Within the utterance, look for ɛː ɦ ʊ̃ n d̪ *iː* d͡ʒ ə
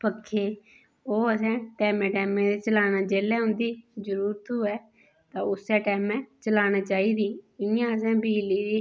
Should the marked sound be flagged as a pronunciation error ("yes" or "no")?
no